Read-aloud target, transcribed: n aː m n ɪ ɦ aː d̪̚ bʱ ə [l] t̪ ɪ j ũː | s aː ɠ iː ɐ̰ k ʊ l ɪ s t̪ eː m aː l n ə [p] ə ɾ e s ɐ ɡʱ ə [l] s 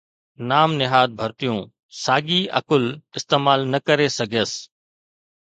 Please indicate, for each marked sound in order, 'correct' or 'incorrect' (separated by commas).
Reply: incorrect, incorrect, incorrect